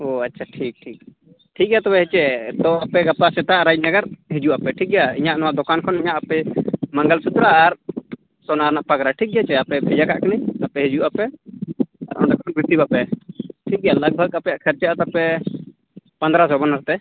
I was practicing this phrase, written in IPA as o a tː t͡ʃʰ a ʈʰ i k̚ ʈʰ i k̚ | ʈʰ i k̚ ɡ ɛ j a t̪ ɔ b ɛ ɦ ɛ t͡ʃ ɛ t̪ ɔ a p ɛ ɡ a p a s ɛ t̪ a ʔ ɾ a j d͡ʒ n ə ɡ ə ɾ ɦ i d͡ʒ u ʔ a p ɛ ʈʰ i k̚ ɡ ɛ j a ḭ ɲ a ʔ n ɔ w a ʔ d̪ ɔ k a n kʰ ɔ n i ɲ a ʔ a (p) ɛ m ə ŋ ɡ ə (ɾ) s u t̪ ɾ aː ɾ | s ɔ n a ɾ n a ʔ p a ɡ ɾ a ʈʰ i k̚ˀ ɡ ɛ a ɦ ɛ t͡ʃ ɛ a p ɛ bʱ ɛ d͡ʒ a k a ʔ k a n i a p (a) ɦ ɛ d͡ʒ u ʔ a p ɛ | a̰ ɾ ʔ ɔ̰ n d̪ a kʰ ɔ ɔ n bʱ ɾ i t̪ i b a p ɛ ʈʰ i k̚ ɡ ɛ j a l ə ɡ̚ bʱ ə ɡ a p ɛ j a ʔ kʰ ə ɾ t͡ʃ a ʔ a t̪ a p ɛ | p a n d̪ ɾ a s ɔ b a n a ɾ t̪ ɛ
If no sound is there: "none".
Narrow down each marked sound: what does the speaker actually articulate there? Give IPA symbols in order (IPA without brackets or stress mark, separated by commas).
p, l, ɛ